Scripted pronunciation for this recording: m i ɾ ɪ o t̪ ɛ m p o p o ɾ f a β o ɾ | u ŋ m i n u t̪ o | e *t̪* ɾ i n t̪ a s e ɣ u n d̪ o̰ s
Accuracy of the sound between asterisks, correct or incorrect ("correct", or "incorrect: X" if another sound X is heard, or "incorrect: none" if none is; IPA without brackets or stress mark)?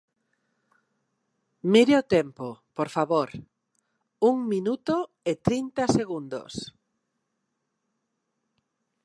correct